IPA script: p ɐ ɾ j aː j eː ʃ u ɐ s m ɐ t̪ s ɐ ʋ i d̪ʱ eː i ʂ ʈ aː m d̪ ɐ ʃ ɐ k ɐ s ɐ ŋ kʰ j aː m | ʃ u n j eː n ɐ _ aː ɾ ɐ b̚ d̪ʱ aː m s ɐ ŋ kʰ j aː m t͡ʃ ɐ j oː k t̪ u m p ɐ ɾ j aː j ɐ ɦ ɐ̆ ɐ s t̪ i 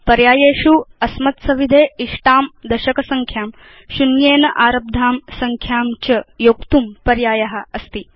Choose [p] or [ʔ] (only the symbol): ʔ